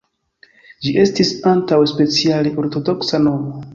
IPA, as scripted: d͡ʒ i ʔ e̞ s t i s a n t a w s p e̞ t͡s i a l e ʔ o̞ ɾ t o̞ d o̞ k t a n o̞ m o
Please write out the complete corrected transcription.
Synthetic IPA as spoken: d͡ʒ i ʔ e̞ s t i s a n t a w s p e̞ t͡s i a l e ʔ o̞ ɾ t o̞ d o̞ k s a n o̞ m o